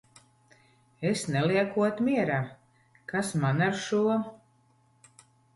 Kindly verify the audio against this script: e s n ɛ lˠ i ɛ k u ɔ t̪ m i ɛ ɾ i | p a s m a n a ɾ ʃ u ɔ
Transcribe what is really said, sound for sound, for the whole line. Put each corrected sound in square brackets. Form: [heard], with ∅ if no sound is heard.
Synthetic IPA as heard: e s n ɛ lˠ i ɛ k u ɔ t̪ m i ɛ ɾ [a] | [k] a s m a n a ɾ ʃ u ɔ